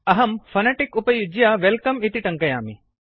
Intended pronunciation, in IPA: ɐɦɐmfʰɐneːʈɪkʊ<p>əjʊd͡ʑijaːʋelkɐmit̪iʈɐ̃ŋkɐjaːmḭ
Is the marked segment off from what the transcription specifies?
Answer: no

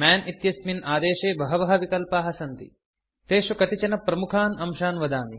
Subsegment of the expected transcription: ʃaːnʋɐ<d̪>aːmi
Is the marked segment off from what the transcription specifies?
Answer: no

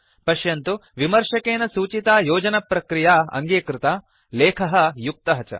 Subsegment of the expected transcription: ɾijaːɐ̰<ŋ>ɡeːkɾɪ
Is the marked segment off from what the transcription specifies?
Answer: no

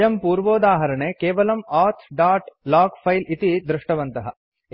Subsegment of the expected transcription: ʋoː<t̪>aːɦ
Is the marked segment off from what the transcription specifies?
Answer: yes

